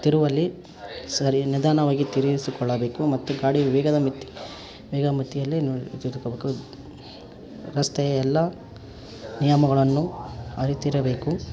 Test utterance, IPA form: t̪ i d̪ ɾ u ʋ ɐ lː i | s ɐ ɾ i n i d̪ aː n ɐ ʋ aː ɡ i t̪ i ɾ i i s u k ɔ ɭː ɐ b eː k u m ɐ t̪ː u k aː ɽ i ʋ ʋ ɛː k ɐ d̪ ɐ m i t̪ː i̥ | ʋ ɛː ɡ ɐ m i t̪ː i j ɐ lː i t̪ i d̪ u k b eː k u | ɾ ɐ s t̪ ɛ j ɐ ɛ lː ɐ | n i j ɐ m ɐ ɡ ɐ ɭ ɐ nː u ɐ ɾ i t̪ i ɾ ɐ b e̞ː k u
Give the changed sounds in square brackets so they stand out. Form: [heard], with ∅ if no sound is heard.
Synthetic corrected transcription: t̪ i [∅] ɾ u ʋ ɐ lː i | s ɐ ɾ i n i d̪ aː n ɐ ʋ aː ɡ i t̪ i ɾ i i s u k ɔ ɭː ɐ b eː k u m ɐ t̪ː u [ɡ] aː ɽ i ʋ ʋ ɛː [ɡ] ɐ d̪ ɐ m i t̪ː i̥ | ʋ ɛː ɡ ɐ m i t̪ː i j ɐ lː i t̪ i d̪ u k b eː k u | ɾ ɐ s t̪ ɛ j ɐ ɛ lː ɐ | n i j ɐ m ɐ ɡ ɐ ɭ ɐ nː u ɐ ɾ i t̪ i ɾ ɐ b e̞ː k u